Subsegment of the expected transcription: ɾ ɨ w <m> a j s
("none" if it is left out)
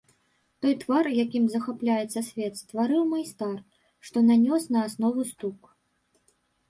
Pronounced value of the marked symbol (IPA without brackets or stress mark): m